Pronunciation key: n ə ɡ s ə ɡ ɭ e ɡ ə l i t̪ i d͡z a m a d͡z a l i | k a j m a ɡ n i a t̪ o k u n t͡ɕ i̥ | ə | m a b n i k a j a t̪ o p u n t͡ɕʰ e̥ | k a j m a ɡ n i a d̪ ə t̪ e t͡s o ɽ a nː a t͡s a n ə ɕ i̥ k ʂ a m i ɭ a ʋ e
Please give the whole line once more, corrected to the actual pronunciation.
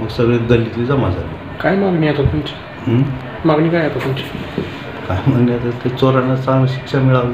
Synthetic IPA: m ə ɡ s ə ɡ ɭ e ɡ ə l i t̪ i d͡z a m a d͡z a l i | k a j m a ɡ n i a t̪ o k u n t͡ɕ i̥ | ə | m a ɡ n i k a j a t̪ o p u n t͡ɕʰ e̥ | k a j m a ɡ n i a t̪ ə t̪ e t͡s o ɾ a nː a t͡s a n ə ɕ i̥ k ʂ a m i ɭ a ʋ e

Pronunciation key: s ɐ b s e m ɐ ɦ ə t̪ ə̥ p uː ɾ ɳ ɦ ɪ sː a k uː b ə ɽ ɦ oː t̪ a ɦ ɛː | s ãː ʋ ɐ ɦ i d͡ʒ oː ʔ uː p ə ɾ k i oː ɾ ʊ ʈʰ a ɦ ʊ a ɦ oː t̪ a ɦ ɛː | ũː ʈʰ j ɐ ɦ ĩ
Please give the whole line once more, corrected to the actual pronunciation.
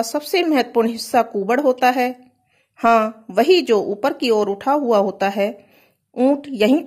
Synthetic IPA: s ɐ b s e m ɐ ɦ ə t̪ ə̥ p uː ɾ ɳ ɦ ɪ sː a k uː b ə ɽ ɦ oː t̪ a ɦ ɛː | h ãː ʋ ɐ ɦ i d͡ʒ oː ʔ uː p ə ɾ k i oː ɾ ʊ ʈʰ a ɦ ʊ a ɦ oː t̪ a ɦ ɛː | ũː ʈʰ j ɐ ɦ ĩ

